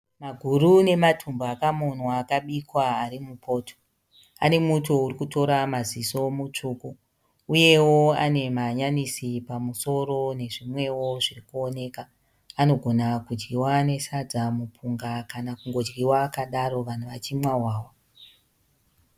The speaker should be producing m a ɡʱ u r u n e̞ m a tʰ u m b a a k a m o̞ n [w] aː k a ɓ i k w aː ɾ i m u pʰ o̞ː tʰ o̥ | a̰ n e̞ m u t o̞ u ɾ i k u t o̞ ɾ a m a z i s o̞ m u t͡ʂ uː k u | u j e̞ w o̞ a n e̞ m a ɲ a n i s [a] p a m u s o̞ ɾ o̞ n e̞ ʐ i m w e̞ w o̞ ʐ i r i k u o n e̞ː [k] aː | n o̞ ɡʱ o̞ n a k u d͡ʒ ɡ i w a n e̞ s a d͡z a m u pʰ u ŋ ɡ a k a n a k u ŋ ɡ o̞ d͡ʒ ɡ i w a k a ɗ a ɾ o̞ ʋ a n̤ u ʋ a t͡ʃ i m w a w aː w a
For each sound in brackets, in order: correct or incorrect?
correct, incorrect: i, correct

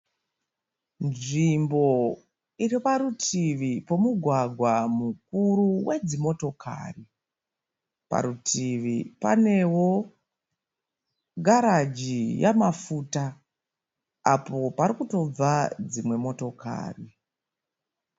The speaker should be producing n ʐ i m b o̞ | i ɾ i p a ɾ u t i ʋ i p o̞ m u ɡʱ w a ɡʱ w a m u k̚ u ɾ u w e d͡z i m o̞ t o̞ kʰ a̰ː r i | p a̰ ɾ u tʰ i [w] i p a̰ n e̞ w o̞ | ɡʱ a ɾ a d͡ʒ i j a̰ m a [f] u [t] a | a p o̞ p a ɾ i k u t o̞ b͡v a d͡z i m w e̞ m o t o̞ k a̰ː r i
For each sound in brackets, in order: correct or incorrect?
incorrect: ʋ, correct, correct

